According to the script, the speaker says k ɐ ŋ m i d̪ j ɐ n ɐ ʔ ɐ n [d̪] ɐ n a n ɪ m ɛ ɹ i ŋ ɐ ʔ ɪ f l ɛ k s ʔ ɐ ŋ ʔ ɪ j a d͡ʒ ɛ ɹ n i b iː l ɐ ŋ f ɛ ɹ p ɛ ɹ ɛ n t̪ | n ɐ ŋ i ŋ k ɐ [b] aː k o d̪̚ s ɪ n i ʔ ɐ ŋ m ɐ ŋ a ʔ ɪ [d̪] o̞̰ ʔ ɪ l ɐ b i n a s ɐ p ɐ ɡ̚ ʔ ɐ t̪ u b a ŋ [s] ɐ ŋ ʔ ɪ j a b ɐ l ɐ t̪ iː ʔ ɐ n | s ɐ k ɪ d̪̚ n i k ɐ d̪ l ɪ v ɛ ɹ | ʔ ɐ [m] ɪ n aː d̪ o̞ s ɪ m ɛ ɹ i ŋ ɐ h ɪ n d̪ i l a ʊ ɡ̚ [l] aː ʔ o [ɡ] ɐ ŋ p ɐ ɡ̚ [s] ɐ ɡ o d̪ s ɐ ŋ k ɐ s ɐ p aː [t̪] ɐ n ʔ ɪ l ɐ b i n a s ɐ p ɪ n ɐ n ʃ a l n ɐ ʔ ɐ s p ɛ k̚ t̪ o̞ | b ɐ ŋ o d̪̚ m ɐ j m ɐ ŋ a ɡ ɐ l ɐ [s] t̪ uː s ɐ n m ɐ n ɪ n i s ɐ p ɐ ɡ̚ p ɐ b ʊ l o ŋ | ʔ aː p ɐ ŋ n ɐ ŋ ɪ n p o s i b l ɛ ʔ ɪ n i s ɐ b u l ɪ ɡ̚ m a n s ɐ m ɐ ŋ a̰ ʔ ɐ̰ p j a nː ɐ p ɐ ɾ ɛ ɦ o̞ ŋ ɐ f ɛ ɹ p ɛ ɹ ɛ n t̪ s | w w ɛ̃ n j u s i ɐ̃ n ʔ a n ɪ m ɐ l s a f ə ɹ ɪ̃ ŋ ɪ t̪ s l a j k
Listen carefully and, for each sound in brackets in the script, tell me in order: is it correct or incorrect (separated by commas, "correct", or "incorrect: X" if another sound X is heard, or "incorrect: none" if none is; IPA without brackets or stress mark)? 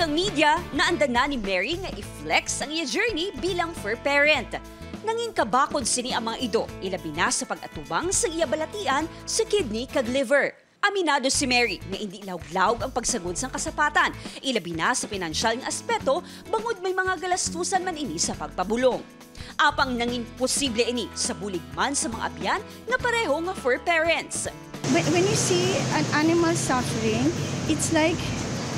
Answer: correct, correct, correct, correct, correct, correct, correct, correct, correct, correct